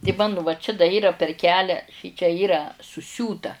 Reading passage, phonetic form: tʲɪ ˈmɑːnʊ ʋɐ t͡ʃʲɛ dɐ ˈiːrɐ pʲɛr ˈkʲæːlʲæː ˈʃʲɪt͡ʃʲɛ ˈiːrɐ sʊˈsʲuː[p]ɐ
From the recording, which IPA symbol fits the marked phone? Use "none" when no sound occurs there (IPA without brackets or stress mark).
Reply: t